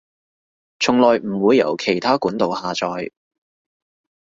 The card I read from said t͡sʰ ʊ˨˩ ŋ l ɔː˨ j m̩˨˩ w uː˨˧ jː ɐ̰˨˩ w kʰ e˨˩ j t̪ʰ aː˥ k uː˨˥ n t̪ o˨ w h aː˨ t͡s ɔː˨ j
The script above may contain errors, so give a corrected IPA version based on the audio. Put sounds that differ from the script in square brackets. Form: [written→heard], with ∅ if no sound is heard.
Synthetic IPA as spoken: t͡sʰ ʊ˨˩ ŋ l ɔː˨ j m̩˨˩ w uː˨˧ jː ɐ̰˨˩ w kʰ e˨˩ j t̪ʰ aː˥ k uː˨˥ n t̪ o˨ w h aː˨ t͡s ɔː˨ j